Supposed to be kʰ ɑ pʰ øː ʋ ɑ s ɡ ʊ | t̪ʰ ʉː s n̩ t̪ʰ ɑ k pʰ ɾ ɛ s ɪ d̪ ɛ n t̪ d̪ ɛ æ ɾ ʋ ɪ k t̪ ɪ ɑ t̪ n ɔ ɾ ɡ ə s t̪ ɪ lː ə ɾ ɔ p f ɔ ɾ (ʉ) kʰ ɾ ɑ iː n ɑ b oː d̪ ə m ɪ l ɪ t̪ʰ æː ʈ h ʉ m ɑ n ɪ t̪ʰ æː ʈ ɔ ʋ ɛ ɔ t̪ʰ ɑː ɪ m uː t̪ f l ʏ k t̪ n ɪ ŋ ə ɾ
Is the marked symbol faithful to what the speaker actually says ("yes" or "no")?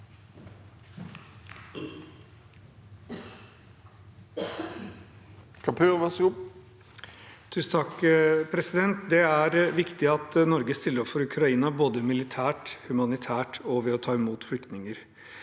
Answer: yes